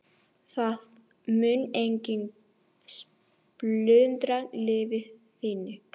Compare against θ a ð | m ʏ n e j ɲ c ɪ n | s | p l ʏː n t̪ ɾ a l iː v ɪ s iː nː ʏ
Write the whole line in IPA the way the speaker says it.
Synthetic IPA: θ a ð | m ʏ n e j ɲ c ɪ n | s | p l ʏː n t̪ ɾ a l ɪː v ɪ θ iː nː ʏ